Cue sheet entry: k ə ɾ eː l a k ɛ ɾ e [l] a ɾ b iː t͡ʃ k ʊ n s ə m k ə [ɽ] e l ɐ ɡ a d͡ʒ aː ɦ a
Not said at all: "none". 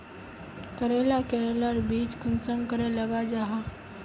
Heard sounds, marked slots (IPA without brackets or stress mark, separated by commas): l, ɾ